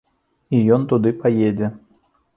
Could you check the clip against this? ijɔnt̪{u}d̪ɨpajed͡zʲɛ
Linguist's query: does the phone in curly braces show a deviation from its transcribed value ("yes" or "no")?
no